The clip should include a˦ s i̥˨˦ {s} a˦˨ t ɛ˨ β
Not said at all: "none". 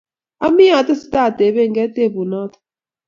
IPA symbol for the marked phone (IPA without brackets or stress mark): t